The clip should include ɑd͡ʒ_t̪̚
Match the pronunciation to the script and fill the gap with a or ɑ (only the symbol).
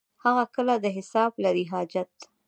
a